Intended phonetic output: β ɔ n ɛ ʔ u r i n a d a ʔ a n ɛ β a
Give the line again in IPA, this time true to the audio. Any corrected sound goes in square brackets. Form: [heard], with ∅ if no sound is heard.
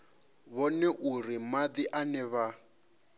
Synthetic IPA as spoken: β ɔ n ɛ ʔ u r i [m] a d [i] ʔ a n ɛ β a

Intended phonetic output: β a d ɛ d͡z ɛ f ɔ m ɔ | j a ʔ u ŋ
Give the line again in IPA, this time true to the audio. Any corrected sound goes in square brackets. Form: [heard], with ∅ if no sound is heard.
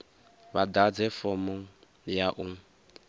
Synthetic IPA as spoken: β a d [a] d͡z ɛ f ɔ m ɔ | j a ʔ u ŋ

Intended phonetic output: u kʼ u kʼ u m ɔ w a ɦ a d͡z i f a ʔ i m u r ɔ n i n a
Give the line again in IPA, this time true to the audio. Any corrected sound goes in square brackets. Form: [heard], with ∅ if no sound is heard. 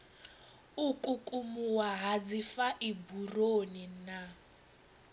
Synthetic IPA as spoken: u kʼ u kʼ u m [u] w a ɦ a d͡z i f a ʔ i [b] u r [o] n i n a

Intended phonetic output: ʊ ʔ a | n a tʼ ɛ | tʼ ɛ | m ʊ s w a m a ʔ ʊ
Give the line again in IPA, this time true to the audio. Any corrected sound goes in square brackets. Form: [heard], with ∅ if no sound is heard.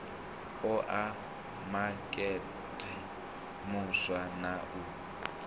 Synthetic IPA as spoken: ʊ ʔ a | [m] a [kʼ] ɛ | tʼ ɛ | m ʊ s w a [n] a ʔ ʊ

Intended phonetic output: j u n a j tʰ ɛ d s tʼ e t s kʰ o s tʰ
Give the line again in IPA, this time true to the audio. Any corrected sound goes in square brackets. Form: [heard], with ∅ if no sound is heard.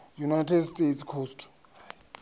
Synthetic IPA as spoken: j u n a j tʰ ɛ d s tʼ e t s kʰ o s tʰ

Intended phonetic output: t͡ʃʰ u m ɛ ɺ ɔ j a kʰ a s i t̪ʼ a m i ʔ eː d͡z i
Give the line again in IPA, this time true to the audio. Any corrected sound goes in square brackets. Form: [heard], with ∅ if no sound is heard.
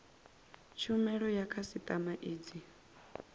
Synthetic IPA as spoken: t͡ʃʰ u m ɛ ɺ ɔ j a kʰ a s i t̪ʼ a m [a] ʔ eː d͡z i

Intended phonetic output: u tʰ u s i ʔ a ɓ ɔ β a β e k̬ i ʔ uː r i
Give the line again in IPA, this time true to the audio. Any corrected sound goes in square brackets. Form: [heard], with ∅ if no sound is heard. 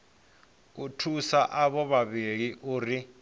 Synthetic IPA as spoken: u tʰ u s [a] ʔ a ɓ ɔ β a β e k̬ i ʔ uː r i

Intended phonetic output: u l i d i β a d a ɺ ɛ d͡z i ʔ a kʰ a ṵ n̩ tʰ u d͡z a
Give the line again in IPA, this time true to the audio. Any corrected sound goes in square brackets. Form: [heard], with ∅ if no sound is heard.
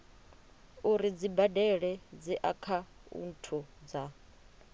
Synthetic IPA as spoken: u [ɾ] i [d͡z] i [b] a d [ɛ] ɺ ɛ d͡z i ʔ a kʰ a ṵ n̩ tʰ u d͡z a

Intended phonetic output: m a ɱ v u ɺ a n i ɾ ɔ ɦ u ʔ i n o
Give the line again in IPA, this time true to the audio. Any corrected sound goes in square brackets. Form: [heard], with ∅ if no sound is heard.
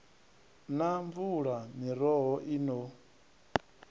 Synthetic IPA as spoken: [n] a ɱ v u ɺ a [m] i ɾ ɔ ɦ [ɔ] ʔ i n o

